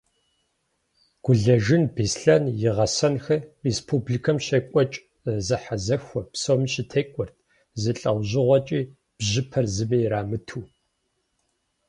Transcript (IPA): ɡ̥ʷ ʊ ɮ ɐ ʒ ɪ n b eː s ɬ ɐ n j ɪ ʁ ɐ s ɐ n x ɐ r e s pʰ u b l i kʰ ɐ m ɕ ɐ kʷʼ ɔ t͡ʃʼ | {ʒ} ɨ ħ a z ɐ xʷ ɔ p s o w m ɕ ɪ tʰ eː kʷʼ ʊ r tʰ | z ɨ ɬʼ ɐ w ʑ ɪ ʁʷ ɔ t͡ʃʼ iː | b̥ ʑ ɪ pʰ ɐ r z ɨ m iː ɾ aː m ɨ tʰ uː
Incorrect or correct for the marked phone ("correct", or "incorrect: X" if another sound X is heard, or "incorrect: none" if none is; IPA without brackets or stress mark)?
incorrect: z